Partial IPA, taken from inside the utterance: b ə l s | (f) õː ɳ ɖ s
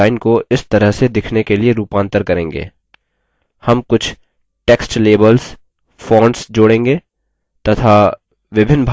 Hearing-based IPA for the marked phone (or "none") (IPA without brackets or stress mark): f